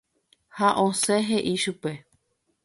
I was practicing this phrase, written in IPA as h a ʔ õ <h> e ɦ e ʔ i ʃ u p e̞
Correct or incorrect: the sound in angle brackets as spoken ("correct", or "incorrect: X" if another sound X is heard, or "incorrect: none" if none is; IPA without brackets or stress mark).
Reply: incorrect: s